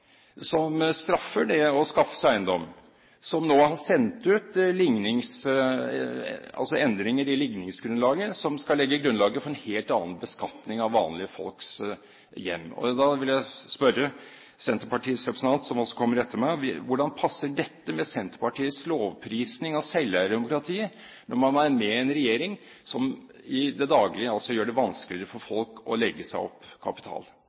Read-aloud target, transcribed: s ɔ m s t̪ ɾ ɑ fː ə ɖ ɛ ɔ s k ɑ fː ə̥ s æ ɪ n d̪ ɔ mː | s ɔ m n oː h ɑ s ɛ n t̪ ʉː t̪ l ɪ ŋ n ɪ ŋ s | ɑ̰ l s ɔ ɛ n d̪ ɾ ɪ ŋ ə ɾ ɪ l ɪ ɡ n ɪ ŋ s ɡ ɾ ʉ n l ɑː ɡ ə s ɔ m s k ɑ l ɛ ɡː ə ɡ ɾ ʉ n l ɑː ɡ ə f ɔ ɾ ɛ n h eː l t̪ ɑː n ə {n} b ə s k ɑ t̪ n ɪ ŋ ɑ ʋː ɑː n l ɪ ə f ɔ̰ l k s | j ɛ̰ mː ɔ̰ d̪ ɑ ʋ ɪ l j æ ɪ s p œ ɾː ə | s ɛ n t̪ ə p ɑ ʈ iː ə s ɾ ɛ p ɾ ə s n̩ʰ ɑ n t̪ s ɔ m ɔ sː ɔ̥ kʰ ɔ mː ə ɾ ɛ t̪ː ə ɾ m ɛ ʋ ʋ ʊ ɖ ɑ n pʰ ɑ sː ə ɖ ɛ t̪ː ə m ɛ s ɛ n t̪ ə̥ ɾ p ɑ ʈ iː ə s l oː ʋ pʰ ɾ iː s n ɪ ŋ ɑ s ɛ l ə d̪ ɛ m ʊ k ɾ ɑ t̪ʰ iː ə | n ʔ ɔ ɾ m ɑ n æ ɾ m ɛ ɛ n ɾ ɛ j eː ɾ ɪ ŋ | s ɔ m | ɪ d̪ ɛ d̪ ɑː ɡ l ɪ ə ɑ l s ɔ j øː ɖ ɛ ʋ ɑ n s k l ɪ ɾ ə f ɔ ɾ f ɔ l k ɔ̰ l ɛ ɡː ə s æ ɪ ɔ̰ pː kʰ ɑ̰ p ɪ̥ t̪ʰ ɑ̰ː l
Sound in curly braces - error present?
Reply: no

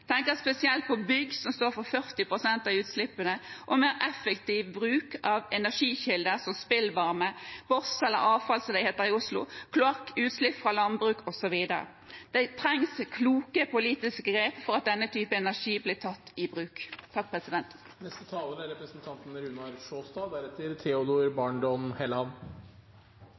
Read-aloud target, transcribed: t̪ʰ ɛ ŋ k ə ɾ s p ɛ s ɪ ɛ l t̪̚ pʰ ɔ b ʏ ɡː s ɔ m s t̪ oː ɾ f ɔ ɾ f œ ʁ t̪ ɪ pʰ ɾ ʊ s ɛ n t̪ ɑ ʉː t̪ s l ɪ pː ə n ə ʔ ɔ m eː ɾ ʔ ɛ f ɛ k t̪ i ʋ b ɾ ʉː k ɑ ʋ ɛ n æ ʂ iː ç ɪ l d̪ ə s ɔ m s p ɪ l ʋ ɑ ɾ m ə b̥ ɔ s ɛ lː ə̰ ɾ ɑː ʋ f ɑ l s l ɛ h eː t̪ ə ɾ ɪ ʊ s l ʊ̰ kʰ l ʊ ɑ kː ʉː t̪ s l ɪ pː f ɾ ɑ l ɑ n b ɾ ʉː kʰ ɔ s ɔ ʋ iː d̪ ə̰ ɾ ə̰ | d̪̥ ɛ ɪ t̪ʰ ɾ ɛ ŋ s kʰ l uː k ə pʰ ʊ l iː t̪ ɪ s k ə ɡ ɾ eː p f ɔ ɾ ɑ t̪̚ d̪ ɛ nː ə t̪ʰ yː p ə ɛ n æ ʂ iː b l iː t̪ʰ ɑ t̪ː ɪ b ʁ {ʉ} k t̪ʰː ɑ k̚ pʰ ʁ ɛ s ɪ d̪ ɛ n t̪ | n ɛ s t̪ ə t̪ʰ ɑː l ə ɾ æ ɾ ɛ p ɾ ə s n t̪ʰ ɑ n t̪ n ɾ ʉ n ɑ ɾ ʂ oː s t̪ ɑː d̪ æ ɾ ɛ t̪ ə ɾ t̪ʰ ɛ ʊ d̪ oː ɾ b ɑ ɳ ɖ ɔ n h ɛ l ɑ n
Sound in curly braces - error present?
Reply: yes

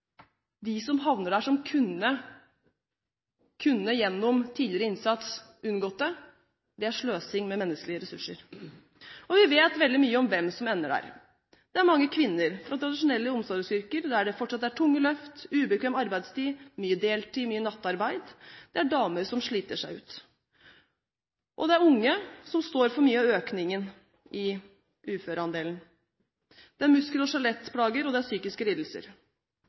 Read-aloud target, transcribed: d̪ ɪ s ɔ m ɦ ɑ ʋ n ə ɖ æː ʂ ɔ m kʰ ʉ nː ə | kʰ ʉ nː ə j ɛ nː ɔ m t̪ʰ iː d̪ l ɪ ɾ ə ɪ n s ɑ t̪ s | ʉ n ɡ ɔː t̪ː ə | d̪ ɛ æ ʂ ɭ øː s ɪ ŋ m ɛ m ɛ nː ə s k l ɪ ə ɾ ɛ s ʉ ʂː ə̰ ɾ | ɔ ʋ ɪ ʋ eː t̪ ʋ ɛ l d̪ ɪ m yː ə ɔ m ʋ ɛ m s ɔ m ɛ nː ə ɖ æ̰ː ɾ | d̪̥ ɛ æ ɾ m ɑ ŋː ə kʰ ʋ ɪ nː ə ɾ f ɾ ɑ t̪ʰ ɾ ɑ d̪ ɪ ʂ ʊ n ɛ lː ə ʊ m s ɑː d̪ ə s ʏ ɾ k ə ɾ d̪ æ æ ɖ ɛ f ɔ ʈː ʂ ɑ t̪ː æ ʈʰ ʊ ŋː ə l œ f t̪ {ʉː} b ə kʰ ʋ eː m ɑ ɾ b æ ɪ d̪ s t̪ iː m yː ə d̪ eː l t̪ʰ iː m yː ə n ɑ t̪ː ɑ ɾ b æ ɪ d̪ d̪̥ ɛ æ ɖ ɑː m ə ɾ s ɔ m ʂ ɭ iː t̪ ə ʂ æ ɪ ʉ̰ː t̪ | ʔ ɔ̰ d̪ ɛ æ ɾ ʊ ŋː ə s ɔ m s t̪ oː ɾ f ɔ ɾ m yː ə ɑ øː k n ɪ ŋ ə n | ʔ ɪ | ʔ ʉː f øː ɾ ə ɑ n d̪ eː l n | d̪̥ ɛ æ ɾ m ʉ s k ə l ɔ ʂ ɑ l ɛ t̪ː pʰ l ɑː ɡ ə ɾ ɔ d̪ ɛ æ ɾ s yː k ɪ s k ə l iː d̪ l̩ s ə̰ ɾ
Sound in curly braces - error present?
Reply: no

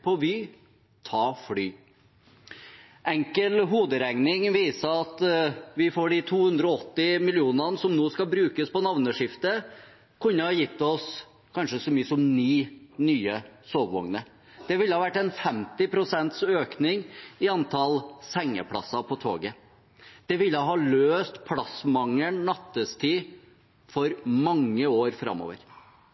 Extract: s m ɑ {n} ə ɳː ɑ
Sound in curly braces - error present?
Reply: yes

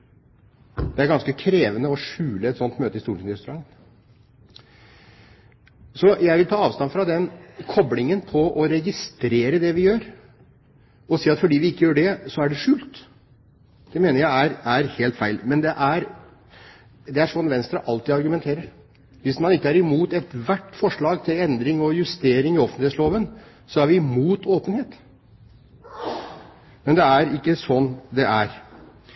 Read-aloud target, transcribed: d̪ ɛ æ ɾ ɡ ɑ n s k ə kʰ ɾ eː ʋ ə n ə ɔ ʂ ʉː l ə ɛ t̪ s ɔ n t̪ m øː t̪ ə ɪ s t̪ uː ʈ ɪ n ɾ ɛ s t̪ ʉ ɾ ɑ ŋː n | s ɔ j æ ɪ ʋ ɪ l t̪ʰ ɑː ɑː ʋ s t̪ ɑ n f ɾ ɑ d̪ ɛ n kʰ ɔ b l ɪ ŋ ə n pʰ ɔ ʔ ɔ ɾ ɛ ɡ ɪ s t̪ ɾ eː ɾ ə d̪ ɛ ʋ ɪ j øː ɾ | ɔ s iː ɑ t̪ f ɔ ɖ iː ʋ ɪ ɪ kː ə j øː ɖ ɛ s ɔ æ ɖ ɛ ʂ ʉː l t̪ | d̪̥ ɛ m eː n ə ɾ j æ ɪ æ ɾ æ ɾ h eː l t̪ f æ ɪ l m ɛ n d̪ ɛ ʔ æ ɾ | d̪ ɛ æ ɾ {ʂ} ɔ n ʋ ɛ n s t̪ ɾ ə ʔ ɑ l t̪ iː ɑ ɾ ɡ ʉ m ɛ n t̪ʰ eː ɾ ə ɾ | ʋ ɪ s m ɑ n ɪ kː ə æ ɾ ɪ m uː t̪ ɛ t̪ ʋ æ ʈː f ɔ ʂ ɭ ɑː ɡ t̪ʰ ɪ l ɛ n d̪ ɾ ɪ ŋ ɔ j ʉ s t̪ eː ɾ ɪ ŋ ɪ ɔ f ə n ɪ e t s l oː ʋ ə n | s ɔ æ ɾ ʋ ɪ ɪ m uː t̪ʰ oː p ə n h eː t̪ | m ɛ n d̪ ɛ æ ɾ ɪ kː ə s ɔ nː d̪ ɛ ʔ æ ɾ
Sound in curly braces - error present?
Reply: no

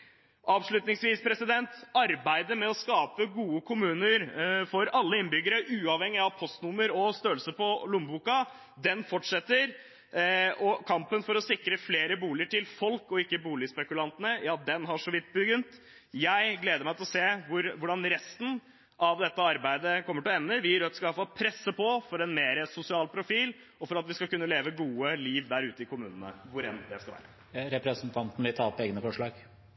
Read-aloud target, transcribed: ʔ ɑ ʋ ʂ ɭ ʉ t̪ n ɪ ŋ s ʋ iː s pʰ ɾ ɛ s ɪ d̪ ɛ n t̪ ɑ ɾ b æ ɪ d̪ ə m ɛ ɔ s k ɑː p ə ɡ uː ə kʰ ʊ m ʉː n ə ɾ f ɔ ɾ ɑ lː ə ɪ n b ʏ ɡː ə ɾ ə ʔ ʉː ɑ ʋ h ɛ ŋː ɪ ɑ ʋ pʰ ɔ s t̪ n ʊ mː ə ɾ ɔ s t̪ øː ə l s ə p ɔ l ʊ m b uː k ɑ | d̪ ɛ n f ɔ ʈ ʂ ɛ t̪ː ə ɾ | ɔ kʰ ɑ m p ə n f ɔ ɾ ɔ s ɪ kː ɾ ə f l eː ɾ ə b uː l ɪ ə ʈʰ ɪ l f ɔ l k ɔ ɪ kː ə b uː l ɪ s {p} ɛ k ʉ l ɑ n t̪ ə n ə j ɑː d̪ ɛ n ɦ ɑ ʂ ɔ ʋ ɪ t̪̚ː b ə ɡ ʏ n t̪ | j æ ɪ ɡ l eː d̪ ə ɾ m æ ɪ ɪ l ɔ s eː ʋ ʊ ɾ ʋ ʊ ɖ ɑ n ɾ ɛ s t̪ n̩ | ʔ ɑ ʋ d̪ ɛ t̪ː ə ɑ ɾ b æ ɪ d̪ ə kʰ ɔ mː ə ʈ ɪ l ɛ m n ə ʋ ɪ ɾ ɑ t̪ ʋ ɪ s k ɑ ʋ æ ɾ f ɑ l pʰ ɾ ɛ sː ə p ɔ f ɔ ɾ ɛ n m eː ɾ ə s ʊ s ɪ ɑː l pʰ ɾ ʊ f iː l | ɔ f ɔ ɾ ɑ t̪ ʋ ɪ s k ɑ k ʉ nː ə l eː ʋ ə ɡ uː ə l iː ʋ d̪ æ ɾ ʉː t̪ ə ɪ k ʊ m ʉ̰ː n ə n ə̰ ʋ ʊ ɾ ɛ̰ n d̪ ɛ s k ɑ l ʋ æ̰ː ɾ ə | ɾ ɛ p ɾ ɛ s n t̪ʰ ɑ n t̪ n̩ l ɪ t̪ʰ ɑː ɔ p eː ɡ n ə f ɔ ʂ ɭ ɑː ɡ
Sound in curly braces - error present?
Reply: no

